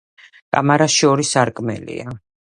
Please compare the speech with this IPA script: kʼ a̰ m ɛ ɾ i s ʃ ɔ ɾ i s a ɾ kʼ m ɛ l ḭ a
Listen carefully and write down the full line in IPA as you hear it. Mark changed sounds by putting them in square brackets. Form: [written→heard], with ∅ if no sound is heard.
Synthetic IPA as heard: kʼ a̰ m [ɛ→a] ɾ [i→a] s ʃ ɔ ɾ i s a ɾ kʼ m ɛ l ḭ a